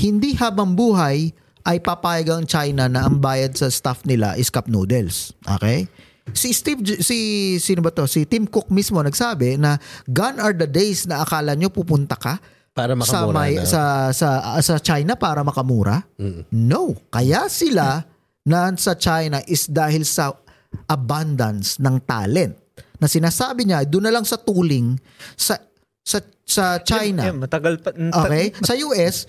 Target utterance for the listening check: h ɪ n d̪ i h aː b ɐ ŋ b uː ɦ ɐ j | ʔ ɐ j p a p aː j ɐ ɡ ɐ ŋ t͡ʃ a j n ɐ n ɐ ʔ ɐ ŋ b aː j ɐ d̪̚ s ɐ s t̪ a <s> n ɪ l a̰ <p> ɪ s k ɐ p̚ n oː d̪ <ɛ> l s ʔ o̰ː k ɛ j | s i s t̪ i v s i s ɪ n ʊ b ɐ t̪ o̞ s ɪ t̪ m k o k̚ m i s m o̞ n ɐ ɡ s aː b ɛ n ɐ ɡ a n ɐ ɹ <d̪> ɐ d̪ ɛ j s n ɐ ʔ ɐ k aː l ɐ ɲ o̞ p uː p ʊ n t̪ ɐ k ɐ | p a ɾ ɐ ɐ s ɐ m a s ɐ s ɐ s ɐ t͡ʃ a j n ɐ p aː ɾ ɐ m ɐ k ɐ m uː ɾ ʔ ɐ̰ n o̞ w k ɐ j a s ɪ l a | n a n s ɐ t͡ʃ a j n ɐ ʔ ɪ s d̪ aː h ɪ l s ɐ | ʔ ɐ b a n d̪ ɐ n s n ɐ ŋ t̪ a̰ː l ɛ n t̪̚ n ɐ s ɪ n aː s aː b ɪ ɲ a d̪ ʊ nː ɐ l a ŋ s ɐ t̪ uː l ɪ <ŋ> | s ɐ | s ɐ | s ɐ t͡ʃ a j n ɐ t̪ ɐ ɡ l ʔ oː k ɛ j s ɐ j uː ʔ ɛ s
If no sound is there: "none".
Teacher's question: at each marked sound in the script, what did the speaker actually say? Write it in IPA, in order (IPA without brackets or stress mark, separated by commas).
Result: f, ʔ, ɛ, d̪, ŋ